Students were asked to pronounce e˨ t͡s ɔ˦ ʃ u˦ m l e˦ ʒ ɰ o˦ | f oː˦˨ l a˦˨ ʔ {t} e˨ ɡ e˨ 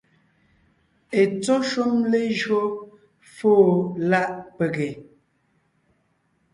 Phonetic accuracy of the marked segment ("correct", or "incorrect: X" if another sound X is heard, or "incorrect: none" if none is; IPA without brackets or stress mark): incorrect: p